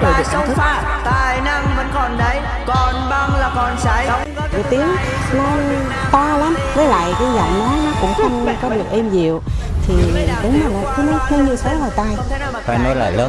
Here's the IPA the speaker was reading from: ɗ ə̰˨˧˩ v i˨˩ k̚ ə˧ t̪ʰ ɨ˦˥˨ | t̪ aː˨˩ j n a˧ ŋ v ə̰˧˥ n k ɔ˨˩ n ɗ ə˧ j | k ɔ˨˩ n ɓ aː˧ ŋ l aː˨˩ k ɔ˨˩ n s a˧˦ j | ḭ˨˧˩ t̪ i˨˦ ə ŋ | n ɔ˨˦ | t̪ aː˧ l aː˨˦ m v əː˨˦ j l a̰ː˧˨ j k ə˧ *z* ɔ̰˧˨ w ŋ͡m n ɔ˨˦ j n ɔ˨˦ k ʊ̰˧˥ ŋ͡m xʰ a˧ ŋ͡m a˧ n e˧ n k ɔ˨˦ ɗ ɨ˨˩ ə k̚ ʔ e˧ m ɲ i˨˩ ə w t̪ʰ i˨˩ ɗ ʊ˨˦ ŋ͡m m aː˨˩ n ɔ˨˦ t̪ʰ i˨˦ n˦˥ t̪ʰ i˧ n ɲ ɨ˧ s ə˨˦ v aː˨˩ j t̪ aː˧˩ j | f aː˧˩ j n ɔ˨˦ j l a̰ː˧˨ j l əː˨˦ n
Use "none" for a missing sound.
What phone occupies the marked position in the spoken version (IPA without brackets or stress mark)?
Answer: z